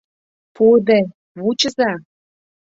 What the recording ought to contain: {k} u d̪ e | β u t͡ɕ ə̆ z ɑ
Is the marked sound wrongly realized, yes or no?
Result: yes